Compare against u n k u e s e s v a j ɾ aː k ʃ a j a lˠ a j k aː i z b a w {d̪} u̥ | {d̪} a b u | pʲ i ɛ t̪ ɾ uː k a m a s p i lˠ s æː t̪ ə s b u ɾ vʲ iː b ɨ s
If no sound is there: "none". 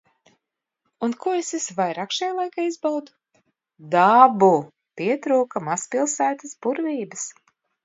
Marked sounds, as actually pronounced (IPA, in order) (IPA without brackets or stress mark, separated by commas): d̪, d̪